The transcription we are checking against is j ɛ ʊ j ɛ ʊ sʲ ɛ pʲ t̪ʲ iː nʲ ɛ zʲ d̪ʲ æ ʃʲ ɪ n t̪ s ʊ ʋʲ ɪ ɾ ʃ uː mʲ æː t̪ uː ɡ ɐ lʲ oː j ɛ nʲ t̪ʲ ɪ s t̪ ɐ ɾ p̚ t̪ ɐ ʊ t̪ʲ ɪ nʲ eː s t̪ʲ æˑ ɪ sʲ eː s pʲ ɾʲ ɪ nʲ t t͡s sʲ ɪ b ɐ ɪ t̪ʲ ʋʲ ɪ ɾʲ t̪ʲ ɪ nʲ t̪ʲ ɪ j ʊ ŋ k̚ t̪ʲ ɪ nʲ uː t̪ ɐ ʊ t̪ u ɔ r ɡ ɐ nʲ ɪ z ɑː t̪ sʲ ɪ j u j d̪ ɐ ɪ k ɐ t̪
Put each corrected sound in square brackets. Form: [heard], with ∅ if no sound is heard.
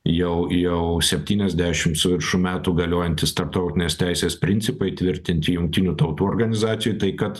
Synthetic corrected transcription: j ɛ ʊ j ɛ ʊ sʲ ɛ pʲ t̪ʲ iː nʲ ɛ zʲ d̪ʲ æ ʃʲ ɪ [m] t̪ s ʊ ʋʲ ɪ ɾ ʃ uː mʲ æː t̪ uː ɡ ɐ lʲ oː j ɛ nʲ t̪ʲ ɪ s t̪ ɐ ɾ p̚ t̪ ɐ ʊ t̪ʲ ɪ nʲ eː s t̪ʲ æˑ ɪ sʲ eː s pʲ ɾʲ ɪ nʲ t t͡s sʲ ɪ [p] ɐ ɪ t̪ʲ ʋʲ ɪ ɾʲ t̪ʲ ɪ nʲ t̪ʲ ɪ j ʊ ŋ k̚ t̪ʲ ɪ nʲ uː t̪ ɐ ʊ t̪ [uː] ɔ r ɡ ɐ nʲ ɪ z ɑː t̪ sʲ ɪ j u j [t̪] ɐ ɪ k ɐ t̪